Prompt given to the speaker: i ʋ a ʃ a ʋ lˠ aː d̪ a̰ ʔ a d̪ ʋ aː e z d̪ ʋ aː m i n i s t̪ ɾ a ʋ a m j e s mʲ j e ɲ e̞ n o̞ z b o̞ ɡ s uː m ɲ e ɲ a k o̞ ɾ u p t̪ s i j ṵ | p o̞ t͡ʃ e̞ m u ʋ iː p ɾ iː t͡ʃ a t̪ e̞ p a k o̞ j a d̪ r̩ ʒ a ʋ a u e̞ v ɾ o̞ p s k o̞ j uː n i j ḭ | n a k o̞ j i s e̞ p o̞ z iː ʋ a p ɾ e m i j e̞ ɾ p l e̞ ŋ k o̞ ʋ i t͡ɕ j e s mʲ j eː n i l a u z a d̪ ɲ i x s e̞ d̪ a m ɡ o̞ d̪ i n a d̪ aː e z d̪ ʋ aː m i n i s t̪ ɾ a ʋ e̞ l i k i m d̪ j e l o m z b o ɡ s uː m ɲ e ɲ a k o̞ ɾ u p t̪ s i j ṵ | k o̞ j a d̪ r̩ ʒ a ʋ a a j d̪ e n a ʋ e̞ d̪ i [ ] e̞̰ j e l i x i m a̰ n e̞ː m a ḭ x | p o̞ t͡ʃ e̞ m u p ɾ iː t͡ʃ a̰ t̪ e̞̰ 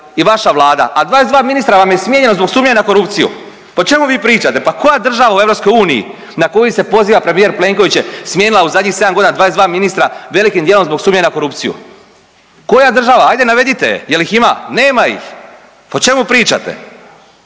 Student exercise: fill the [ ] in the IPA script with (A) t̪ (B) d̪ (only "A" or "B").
A